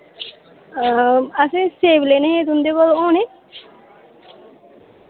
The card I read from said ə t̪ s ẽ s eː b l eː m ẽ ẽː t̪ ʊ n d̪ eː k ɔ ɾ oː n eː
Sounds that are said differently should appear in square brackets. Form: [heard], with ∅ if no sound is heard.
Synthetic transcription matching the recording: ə [∅] s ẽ s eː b l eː [n] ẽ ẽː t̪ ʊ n d̪ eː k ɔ [l] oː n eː